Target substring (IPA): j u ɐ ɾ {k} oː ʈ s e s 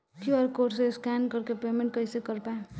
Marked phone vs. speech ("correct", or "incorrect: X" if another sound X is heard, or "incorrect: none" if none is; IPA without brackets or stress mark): correct